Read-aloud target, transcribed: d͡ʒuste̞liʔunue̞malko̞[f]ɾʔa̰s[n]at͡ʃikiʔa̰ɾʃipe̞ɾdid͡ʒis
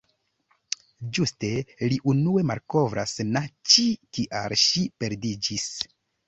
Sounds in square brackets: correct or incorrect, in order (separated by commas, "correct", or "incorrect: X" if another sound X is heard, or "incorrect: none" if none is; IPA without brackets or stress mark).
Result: incorrect: v, correct